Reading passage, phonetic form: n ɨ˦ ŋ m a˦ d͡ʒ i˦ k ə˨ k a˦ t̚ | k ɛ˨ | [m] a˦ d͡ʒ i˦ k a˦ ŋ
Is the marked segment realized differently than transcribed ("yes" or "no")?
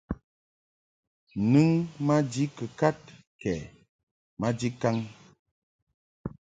no